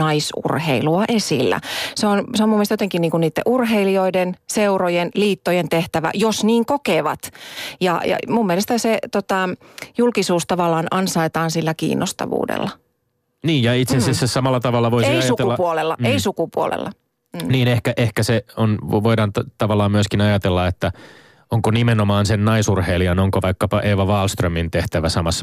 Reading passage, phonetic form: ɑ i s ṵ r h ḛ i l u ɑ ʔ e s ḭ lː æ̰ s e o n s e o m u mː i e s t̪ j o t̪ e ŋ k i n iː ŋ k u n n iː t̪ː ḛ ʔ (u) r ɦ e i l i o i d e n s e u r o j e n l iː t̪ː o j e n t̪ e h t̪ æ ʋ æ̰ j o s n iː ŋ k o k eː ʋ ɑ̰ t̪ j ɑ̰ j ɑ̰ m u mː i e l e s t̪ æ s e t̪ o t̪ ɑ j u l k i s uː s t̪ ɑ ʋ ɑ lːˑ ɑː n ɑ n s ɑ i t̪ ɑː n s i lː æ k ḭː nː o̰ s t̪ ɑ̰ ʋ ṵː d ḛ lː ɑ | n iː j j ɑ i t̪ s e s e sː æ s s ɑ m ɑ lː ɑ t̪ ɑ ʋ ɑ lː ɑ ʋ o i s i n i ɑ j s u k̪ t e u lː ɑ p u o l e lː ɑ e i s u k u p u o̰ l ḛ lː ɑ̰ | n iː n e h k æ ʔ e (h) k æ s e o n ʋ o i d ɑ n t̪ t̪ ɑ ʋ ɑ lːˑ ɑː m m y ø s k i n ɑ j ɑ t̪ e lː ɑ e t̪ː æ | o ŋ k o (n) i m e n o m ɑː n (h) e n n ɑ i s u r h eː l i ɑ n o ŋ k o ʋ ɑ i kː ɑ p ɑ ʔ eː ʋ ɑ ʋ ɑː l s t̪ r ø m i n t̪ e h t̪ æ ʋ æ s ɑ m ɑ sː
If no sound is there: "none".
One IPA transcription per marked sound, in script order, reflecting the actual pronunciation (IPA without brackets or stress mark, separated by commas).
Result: u, h, n, s